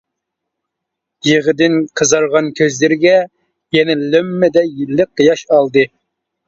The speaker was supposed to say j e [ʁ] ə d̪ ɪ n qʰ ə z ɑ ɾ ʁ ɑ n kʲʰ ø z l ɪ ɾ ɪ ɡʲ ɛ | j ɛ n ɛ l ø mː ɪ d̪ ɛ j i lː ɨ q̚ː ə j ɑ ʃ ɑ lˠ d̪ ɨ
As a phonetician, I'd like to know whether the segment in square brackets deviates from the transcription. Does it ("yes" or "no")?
no